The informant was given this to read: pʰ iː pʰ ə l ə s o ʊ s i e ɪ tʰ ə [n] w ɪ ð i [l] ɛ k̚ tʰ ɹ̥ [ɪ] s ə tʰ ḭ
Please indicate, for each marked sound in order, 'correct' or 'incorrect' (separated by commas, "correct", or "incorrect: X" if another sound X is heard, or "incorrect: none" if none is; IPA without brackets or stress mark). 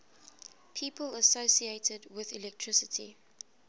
incorrect: d, correct, correct